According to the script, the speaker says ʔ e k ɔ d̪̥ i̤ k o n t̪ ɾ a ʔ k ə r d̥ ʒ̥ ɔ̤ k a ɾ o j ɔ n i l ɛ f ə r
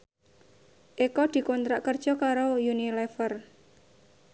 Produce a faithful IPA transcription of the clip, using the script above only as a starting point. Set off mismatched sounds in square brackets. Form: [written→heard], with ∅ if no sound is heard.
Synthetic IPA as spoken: ʔ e k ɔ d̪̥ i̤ k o n t̪ ɾ a ʔ k ə r d̥ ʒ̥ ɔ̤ k a ɾ o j [ɔ→u] n i l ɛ f ə r